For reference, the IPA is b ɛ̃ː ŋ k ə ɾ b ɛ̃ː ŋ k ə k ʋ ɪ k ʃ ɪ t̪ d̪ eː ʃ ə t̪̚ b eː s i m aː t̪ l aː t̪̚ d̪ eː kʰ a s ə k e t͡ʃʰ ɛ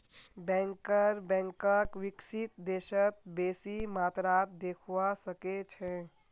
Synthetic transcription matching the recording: b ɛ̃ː ŋ k ə ɾ b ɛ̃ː ŋ k ə k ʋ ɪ k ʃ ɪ t̪ d̪ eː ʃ ə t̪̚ b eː s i m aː t̪ ɾ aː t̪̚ d̪ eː kʰ a s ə k e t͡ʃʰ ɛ